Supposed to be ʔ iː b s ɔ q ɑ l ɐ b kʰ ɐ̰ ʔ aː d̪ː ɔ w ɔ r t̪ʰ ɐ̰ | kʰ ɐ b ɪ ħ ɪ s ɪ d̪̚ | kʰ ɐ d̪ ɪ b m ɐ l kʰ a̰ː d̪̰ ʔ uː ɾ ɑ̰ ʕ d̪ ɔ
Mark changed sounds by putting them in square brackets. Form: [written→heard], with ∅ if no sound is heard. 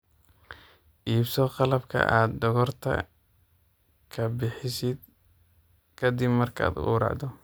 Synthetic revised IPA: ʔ iː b s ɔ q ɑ l ɐ b kʰ ɐ̰ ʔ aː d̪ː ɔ [w→ɣ] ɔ r t̪ʰ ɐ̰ | kʰ ɐ b ɪ ħ ɪ s ɪ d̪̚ | kʰ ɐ d̪ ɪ b m ɐ [l→r] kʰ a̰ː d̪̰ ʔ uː ɾ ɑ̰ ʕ d̪ ɔ

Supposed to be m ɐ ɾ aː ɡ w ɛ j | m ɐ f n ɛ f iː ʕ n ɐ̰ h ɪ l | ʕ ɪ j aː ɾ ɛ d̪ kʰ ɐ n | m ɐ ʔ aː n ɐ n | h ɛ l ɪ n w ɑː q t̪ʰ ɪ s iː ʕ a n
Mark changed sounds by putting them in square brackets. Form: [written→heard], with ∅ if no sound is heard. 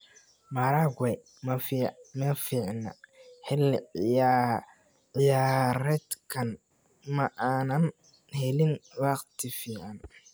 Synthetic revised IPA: m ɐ ɾ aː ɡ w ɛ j | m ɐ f [n→m] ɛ f iː ʕ n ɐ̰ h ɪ l | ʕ ɪ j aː ɾ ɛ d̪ kʰ ɐ n | m ɐ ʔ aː n ɐ n | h ɛ l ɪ n w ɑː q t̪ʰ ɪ [s→f] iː ʕ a n

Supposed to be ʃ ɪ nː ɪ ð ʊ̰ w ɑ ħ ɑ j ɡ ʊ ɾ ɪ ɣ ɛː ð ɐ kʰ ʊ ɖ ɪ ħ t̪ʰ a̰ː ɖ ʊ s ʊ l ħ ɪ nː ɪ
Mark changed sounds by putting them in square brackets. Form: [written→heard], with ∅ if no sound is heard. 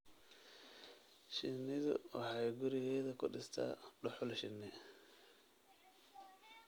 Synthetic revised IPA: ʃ ɪ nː ɪ ð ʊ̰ w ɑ ħ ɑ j ɡ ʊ ɾ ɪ ɣ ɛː ð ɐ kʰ ʊ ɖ ɪ [ħ→s] t̪ʰ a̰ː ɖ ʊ [s→ħ] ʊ l [ħ→ʃ] ɪ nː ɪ

